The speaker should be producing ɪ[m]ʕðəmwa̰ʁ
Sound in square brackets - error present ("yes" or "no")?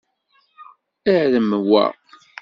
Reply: yes